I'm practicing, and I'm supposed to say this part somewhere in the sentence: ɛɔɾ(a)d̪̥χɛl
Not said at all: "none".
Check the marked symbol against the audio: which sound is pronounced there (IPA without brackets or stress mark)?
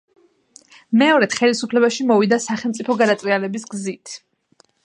ɛ